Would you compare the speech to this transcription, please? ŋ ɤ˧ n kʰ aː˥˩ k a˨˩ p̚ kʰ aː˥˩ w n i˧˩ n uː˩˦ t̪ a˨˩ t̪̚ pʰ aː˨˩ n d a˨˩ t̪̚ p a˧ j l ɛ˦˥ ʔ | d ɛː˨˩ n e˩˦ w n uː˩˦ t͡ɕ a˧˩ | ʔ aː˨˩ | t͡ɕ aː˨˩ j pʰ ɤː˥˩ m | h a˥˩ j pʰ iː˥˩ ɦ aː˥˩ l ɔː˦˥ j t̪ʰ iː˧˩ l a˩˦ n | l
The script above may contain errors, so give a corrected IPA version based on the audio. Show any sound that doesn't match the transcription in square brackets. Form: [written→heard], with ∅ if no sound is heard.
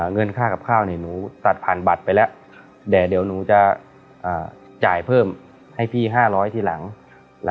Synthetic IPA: ŋ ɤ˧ n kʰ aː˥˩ k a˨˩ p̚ kʰ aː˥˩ w n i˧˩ n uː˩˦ t̪ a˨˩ t̪̚ pʰ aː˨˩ n [d→b] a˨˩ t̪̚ p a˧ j l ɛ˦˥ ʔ | d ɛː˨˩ [n→d] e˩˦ w n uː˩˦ t͡ɕ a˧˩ | ʔ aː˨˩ | t͡ɕ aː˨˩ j pʰ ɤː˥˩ m | h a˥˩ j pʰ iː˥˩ ɦ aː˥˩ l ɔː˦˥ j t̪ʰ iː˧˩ l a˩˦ [n→ŋ] | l